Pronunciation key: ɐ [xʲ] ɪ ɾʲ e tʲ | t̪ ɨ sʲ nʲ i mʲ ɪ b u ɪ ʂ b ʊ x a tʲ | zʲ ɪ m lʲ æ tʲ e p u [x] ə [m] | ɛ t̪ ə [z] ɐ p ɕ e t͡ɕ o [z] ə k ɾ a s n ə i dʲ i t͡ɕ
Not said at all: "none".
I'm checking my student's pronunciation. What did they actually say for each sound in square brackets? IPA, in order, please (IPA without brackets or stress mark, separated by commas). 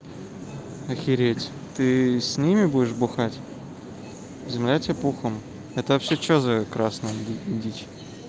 xʲ, x, m, v, z